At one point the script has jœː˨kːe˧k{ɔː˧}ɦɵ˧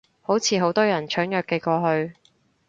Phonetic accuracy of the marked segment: correct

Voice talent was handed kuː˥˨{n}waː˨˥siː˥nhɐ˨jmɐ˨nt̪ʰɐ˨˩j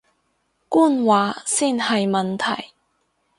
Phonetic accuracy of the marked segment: correct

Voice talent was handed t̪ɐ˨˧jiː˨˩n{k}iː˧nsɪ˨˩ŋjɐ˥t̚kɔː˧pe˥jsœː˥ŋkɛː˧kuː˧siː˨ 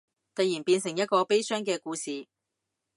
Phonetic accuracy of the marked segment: incorrect: p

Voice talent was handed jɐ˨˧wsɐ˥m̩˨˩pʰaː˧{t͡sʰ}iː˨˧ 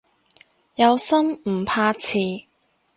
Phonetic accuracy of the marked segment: correct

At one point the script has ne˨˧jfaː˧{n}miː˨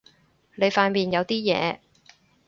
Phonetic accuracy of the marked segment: correct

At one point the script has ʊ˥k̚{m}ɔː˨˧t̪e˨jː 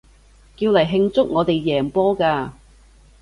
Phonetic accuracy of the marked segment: incorrect: ŋ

